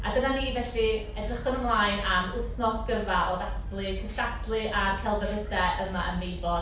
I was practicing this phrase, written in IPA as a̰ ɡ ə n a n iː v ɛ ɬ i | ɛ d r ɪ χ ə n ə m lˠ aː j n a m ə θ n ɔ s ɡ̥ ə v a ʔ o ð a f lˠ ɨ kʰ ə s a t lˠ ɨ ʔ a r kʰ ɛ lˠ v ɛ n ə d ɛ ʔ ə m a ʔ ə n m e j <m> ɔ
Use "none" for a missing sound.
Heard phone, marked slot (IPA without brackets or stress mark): b